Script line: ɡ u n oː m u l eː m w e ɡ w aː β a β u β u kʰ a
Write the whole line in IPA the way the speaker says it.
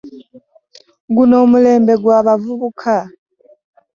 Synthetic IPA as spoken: ɡ u n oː m u l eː m b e ɡ w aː β a v u β u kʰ a

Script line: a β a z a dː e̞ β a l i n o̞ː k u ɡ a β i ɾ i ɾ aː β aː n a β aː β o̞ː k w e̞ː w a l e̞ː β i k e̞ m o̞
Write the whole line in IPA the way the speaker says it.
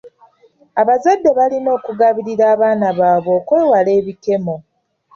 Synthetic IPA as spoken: a β a z a dː e̞ β a l i n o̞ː k u ɡ a β i ɾ i ɾ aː β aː n a β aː β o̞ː k w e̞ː w a l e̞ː β i k e̞ m o̞

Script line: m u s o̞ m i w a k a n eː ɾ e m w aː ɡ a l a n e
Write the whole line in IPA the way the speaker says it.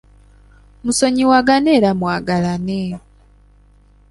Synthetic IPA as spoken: m u s o̞ ɲ i w a ɡ a n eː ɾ a m w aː ɡ a l a n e

